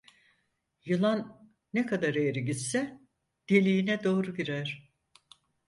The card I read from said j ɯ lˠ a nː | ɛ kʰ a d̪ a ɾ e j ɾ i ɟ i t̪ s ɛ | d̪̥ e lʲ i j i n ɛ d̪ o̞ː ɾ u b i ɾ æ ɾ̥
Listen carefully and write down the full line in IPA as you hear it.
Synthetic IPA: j ɯ lˠ a nː | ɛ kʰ a d̪ a ɾ e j ɾ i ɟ i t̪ s ɛ | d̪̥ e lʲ i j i n ɛ d̪ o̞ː ɾ u ɟ i ɾ æ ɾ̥